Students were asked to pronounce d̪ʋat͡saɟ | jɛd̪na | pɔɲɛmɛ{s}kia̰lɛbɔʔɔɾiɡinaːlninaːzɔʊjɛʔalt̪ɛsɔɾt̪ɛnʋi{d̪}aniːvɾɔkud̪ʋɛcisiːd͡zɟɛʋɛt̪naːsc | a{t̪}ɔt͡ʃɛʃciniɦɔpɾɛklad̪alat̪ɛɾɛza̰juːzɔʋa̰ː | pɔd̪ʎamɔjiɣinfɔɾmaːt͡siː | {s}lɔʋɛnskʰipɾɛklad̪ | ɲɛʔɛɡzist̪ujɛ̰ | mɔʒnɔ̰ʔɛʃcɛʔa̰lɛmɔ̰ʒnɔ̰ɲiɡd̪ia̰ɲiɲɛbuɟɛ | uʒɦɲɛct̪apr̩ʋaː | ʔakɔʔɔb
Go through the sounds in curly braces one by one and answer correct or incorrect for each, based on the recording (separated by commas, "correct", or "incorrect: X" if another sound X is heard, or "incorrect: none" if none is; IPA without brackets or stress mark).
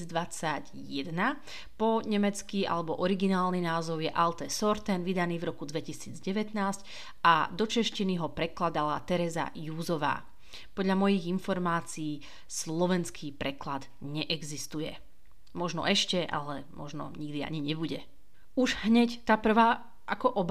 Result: incorrect: t͡s, correct, incorrect: d̪, correct